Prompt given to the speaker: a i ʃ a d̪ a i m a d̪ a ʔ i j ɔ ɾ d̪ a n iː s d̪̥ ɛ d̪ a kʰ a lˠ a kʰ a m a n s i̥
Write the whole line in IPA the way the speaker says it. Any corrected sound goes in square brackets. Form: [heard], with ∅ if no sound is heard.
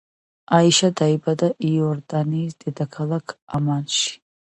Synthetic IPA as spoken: a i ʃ a d̪ a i [b] a d̪ a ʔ i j ɔ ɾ d̪ a n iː s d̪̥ ɛ d̪ a kʰ a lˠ a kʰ a m a n [ʃ] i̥